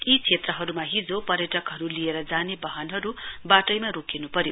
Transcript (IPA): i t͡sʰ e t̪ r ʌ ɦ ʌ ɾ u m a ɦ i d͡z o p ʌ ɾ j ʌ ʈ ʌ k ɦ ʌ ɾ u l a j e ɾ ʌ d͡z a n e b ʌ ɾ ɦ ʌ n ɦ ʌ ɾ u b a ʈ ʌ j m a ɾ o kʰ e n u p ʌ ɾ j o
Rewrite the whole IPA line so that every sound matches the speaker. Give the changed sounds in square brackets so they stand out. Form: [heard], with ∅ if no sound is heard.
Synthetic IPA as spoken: i t͡sʰ e t̪ r ʌ ɦ ʌ ɾ u m a ɦ i d͡z o p ʌ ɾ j ʌ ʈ ʌ k ɦ ʌ ɾ u l [i] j e ɾ ʌ d͡z a n e b ʌ [∅] ɦ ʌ n ɦ ʌ ɾ u b a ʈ ʌ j m a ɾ o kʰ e n u p ʌ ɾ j o

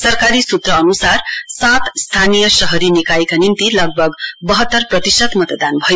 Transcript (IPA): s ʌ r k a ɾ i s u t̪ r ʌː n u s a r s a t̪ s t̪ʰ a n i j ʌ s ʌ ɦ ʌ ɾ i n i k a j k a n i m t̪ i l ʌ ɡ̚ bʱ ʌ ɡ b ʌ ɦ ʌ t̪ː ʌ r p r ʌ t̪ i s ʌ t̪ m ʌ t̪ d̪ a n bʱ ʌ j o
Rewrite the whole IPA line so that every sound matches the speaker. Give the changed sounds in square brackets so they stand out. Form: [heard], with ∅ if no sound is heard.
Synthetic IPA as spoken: s ʌ r k a ɾ i s u t̪ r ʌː n u s a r s a t̪ s t̪ʰ a n i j ʌ s ʌ ɦ ʌ ɾ i n i k a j k a n i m t̪ i l ʌ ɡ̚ bʱ ʌ ɡ b ʌ ɦ ʌ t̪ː ʌ r p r ʌ t̪ i s ʌ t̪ m ʌ t̪ d̪ a n bʱ ʌ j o

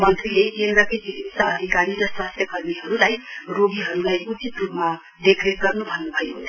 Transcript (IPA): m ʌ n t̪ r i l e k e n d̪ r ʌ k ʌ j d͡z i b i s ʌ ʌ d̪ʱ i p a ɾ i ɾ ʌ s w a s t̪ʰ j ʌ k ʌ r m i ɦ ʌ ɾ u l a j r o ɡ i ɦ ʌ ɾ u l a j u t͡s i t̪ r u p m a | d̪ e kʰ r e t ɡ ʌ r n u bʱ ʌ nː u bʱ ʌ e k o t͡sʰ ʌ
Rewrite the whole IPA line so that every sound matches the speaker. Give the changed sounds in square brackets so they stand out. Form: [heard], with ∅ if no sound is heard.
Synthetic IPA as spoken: m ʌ n t̪ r i l e k e n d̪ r ʌ k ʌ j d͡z i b i s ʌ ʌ d̪ʱ i [k] a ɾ i ɾ ʌ s w a s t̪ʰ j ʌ k ʌ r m i ɦ ʌ ɾ u l a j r o ɡ i ɦ ʌ ɾ u l a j u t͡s i t̪ r u p m a | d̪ e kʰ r e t ɡ ʌ r n u bʱ ʌ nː u bʱ ʌ e k o t͡sʰ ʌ

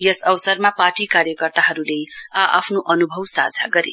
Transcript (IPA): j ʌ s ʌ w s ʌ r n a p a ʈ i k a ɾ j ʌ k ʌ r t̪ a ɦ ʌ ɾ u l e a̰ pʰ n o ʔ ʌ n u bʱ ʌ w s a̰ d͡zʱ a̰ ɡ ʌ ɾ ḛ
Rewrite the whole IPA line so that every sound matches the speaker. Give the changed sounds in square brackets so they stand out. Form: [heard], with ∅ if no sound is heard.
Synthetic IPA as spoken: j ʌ s ʌ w s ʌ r [m] a p a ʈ i k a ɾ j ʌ k ʌ r t̪ a ɦ ʌ ɾ u l e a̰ pʰ n o ʔ ʌ n u bʱ ʌ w s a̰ d͡zʱ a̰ ɡ ʌ ɾ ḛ

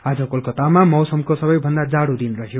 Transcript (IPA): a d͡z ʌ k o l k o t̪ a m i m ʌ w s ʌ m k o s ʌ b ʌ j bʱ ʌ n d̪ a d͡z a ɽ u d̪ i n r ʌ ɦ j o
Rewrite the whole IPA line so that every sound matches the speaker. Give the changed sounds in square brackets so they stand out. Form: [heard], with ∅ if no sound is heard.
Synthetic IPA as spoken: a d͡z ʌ k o l k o t̪ a m [a] m ʌ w s ʌ m k o s ʌ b ʌ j bʱ ʌ n d̪ a d͡z a ɽ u d̪ i n r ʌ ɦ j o

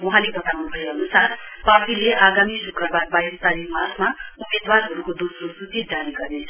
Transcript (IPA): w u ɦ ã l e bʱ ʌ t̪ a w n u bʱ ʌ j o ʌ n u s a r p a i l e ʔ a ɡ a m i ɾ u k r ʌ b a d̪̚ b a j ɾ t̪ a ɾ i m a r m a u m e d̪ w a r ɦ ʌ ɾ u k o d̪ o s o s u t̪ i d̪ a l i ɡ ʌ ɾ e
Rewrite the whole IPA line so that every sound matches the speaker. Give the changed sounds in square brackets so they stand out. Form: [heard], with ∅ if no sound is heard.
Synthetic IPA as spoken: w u ɦ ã l e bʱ ʌ t̪ a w n u bʱ ʌ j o ʌ n u s a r p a i l e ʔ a ɡ a m i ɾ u k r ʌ b a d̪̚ b a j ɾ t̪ a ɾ i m a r m a u m e d̪ w a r ɦ ʌ ɾ u k o d̪ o s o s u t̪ i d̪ a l i ɡ ʌ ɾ e

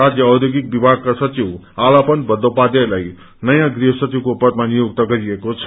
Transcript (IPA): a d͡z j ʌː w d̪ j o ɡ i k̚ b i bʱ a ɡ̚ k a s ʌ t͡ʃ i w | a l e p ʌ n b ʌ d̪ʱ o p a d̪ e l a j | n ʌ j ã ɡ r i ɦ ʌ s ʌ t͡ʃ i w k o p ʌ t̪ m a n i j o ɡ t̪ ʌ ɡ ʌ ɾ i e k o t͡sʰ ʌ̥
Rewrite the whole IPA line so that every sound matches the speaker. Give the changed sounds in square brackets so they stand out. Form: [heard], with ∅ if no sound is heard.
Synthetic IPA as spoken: a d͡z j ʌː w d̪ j o ɡ i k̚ b i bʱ a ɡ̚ k a s ʌ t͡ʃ i w | a l [a] p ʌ n b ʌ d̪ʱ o p a d̪ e l a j | n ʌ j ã ɡ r i ɦ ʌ s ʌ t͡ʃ i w k o p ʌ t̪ m a n i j o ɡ t̪ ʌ ɡ ʌ ɾ i e k o t͡sʰ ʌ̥

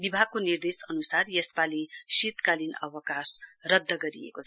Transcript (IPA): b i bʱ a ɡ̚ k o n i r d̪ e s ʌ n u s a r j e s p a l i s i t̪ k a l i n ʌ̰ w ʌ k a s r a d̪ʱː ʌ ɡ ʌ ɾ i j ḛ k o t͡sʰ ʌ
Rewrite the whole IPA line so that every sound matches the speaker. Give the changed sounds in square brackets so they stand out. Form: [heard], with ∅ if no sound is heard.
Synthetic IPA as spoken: b i bʱ a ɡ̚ k o n i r d̪ e s ʌ n u s a r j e s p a l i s i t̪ k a l i n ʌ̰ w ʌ k a s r [ʌ] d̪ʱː ʌ ɡ ʌ ɾ i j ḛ k o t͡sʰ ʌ

